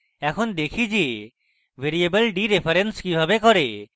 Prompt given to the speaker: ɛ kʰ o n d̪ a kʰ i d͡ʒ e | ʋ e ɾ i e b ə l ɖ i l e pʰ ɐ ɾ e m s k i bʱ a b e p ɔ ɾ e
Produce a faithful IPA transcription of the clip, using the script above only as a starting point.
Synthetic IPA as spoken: ɛ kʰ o n d̪ e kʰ i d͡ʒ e | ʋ e ɾ i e b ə l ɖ i ɾ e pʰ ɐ ɾ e n s k i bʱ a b e k ɔ ɾ e